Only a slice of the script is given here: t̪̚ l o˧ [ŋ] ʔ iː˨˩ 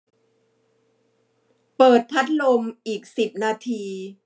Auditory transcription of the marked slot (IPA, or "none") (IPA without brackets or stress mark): m